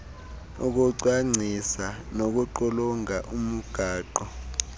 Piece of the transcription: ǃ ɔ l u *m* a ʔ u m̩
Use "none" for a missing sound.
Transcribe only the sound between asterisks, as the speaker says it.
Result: ŋ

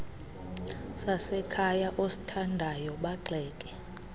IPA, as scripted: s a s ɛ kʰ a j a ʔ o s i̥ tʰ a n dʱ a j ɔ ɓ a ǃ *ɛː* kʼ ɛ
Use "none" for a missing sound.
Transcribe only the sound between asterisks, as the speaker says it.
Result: ɛː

